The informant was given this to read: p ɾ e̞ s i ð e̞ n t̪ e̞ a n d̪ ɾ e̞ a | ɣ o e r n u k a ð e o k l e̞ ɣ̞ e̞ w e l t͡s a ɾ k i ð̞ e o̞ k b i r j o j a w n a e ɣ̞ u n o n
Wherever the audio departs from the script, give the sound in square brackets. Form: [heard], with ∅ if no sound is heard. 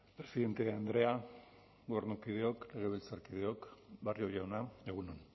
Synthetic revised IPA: p ɾ e̞ s i ð e̞ n t̪ e̞ a n d̪ ɾ e̞ a | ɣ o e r n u k [i] ð e o k l e̞ ɣ̞ e̞ [β] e l t͡s a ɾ k i ð̞ e o̞ k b [a] r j o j a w n a e ɣ̞ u n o n